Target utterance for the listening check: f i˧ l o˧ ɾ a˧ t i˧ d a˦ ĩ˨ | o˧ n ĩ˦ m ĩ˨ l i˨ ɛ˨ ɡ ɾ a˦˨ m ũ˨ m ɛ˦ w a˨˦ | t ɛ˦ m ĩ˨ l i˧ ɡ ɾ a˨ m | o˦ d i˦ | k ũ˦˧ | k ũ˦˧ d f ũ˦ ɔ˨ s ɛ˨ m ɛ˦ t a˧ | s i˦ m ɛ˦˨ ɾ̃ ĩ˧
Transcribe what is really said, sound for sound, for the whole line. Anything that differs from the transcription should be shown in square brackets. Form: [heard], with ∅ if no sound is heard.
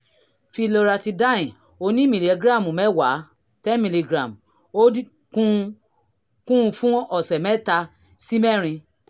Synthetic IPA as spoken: f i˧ l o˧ ɾ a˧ t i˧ d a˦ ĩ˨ | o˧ n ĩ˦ m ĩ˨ l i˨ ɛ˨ ɡ ɾ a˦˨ m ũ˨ m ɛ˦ w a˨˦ | t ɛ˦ m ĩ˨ l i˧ ɡ ɾ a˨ m | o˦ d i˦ | k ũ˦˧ | k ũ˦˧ [∅] f ũ˦ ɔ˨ s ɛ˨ m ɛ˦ t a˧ | s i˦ m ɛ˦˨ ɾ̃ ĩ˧